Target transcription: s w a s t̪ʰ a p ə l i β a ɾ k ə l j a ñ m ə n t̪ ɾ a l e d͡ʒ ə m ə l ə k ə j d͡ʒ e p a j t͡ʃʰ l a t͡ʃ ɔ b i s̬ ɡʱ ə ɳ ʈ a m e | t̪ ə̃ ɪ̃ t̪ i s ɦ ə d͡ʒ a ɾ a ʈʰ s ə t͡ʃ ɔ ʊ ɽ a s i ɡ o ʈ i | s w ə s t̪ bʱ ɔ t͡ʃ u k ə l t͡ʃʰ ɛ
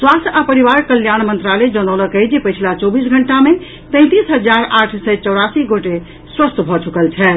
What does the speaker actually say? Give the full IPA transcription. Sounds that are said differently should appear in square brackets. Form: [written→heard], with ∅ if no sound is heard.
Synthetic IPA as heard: s w a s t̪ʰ a p ə [l→ɾ] i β a ɾ k ə l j a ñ m ə n t̪ ɾ a l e d͡ʒ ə [m→n] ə l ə k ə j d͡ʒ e p [a→ə] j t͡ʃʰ l a t͡ʃ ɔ b i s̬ ɡʱ ə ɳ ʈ a m e | t̪ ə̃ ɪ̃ t̪ i s ɦ ə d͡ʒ a ɾ a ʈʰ s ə t͡ʃ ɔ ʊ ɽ a s i ɡ o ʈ [i→e] | s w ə s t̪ bʱ ɔ t͡ʃ u k ə l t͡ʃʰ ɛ